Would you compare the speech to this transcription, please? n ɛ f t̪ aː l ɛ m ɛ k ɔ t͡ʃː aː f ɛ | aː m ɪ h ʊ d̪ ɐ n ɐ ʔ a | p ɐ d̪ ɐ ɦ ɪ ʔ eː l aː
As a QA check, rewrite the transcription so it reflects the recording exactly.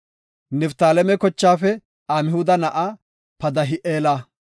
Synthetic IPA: n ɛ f t̪ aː l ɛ m ɛ k ɔ t͡ʃː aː f ɛ | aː m ɪ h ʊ d̪ ɐ n ɐ ʔ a | p ɐ d̪ ɐ ɦ ɪ ʔ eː l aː